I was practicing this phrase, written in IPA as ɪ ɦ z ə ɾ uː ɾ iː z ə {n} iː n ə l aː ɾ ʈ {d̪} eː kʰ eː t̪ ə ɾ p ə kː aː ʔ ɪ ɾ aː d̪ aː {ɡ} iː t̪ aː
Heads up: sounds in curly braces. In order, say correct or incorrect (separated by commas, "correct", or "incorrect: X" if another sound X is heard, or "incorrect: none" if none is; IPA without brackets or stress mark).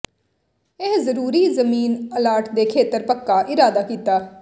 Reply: incorrect: m, correct, incorrect: k